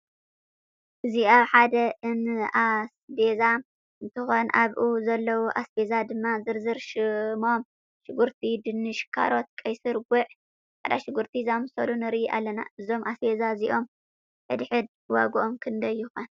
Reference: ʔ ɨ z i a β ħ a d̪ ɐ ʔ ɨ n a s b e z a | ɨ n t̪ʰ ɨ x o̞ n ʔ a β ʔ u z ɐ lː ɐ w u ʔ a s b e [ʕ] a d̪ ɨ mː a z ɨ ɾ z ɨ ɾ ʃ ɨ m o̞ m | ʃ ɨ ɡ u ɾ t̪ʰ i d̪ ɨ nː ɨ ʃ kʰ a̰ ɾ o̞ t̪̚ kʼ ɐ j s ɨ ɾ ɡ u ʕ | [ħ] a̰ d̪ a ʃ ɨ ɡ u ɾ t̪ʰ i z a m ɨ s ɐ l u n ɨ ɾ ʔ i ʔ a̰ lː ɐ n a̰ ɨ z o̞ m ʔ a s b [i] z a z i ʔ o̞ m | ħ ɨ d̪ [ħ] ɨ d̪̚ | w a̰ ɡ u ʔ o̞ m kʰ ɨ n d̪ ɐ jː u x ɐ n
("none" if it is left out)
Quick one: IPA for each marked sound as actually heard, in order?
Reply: z, ħ, e, ħ

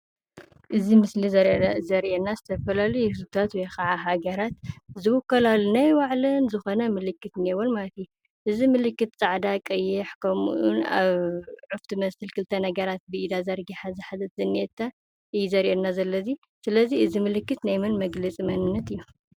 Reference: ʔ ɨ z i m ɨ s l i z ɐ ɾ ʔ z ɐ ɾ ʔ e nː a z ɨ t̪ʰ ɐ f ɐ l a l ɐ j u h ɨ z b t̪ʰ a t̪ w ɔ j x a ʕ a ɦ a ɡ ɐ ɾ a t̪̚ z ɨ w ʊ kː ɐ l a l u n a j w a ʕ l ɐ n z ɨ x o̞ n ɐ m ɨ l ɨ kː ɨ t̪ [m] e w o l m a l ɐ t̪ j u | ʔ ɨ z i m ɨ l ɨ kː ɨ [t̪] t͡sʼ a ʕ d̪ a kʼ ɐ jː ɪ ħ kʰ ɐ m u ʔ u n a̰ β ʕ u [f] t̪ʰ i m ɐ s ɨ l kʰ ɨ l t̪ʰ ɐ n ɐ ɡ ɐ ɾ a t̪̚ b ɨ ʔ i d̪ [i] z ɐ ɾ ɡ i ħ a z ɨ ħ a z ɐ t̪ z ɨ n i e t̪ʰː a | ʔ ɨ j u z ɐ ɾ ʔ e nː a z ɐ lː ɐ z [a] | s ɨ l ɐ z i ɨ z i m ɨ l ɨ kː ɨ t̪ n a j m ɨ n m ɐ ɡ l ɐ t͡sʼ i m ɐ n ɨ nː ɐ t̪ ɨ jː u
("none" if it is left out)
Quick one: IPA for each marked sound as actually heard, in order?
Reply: n, t̪, f, a, i

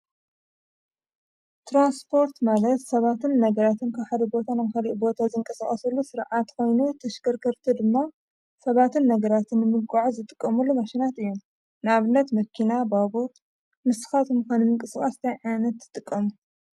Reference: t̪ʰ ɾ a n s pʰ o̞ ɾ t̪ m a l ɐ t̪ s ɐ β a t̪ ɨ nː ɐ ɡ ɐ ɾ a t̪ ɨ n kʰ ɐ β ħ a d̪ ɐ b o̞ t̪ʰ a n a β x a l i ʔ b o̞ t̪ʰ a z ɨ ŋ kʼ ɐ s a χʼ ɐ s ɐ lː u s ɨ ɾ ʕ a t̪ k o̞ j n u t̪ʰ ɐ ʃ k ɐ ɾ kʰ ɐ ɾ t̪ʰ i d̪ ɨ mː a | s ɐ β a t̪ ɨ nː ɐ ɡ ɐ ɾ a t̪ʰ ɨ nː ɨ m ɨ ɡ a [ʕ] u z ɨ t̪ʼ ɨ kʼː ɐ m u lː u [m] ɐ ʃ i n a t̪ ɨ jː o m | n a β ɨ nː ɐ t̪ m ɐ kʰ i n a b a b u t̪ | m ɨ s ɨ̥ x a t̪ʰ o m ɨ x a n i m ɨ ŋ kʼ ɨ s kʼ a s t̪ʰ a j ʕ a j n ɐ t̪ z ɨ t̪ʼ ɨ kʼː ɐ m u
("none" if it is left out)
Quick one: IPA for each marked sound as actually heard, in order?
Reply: ʕ, m

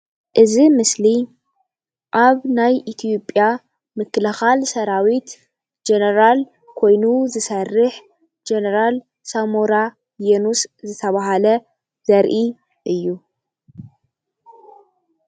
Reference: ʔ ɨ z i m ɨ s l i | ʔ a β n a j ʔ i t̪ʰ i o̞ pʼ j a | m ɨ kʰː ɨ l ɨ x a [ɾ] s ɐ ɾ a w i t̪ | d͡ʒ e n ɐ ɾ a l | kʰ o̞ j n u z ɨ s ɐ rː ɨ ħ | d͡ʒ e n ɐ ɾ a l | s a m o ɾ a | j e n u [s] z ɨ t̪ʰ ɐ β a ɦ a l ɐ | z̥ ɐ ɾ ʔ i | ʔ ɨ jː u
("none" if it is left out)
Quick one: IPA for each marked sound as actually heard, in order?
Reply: l, s

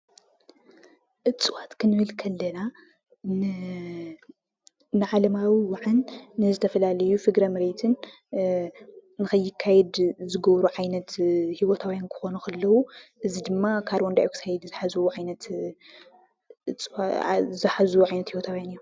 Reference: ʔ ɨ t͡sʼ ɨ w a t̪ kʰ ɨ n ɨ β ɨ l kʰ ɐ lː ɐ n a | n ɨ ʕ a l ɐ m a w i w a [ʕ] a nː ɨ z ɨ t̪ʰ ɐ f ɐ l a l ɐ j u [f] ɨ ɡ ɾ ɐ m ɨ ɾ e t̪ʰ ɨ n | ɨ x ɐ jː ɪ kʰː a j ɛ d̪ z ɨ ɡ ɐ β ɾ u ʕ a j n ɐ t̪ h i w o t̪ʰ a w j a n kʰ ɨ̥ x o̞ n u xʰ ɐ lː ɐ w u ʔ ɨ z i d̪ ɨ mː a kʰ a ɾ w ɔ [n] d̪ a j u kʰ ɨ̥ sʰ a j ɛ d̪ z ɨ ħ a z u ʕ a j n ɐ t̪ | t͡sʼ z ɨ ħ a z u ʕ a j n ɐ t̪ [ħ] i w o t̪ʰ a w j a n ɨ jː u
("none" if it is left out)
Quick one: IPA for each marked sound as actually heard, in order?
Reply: ʕ, f, n, h

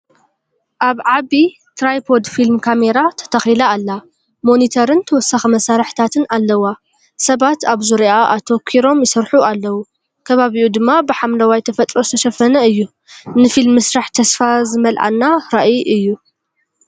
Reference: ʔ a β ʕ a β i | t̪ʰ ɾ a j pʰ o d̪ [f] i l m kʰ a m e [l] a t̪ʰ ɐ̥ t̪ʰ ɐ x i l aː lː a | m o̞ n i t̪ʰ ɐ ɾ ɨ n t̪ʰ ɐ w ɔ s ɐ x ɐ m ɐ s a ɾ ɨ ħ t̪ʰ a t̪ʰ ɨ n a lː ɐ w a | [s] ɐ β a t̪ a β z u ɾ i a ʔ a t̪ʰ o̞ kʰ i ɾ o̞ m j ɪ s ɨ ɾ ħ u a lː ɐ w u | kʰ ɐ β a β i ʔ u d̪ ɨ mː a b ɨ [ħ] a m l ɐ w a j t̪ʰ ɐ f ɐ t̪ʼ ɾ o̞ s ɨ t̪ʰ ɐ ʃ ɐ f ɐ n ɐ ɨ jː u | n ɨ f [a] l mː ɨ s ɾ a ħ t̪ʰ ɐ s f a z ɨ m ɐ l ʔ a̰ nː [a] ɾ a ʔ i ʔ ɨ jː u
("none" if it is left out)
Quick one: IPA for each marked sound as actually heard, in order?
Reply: f, ɾ, s, ħ, i, a

